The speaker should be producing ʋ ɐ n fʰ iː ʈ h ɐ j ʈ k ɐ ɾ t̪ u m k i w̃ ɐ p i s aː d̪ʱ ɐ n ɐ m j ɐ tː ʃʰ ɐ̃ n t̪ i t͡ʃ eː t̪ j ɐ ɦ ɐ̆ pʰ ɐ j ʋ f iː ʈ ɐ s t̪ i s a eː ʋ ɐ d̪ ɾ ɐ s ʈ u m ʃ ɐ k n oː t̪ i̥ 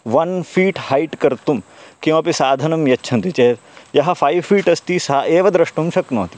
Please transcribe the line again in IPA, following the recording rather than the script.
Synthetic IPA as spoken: ʋ ɐ n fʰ iː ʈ h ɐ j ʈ k ɐ ɾ t̪ u m k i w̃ ɐ p i s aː d̪ʱ ɐ n ɐ m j ɐ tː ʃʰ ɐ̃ n t̪ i t͡ʃ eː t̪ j ɐ ɦ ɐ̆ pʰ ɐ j ʋ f iː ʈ ɐ s t̪ i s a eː ʋ ɐ d̪ ɾ ɐ ʂ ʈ u m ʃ ɐ k n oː t̪ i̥